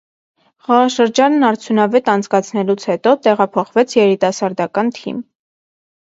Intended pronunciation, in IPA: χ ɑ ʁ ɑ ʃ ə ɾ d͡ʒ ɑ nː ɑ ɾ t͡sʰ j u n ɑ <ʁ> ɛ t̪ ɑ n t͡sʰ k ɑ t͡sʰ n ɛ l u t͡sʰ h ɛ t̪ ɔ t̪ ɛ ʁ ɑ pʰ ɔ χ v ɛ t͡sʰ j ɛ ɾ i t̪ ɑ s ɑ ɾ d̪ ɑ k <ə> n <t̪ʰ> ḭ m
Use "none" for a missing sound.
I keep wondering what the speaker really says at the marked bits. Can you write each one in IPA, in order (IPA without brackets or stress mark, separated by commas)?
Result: v, ɑ, t̪ʰ